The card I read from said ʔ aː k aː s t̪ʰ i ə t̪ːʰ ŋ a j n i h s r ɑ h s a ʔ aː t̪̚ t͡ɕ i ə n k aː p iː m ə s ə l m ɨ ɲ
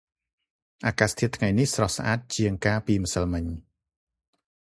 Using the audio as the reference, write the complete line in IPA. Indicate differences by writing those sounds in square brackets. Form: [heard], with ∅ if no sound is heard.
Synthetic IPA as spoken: ʔ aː k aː s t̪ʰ i ə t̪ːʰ ŋ a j n i h s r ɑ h s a ʔ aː t̪̚ t͡ɕ i ə [ŋ] k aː p iː m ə s ə l m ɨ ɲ